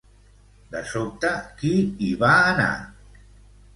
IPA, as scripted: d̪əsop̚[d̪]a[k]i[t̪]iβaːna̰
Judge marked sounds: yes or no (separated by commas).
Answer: no, yes, no